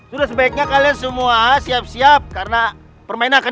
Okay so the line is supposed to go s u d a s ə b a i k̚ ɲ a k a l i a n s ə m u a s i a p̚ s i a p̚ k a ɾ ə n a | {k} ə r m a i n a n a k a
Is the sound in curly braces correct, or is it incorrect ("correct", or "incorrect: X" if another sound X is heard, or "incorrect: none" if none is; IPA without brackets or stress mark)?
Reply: incorrect: p